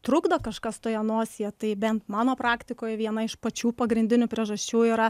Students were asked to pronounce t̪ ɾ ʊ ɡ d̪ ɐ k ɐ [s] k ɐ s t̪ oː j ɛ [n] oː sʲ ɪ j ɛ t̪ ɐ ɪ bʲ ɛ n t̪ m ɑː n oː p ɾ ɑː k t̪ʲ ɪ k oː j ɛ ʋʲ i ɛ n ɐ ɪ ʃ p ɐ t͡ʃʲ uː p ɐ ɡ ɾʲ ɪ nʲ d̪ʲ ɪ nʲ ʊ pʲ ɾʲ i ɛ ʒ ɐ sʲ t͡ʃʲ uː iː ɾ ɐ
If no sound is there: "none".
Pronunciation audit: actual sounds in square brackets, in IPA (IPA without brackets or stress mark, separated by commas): ʃ, n